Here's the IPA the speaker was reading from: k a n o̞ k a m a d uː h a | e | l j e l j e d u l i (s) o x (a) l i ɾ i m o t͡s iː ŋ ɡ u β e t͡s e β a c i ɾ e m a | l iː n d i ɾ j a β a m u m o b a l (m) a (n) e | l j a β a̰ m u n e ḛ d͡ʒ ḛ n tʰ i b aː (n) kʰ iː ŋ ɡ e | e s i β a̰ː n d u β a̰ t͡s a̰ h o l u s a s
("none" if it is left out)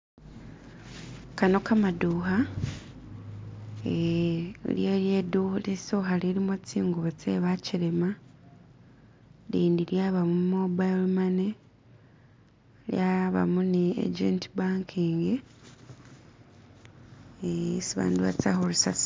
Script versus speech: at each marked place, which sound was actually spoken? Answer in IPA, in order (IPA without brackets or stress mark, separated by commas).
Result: s, a, m, n, ŋ